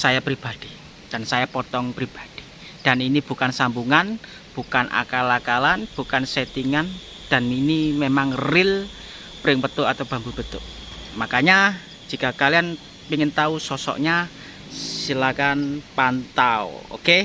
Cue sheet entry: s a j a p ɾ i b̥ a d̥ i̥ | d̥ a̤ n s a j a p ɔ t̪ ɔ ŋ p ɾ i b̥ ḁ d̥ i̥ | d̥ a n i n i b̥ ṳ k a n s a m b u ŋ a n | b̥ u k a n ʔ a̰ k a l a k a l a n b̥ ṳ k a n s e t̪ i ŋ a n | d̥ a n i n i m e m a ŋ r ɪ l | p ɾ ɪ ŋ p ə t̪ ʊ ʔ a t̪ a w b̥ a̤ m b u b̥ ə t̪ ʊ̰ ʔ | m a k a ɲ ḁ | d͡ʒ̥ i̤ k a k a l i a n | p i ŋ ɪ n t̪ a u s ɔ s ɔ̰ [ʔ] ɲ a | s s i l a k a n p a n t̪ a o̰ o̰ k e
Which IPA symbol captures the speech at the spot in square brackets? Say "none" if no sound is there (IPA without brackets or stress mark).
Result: ʔ